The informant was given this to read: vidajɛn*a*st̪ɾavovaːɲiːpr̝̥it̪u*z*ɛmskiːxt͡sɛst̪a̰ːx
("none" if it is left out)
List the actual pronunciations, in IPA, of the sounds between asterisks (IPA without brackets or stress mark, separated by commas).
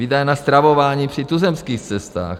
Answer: a, z